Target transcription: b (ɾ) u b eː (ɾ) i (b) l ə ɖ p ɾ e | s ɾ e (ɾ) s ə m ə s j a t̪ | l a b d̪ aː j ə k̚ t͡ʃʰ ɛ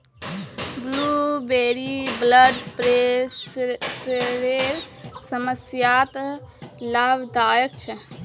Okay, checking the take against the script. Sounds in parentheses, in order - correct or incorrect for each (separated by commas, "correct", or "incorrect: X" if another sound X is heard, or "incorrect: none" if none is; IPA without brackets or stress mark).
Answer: incorrect: l, correct, correct, correct